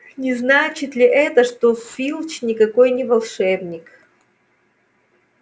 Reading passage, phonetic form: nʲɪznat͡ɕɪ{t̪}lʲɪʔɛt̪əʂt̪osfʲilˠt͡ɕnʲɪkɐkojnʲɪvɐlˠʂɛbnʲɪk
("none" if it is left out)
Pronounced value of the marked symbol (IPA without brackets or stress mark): t̪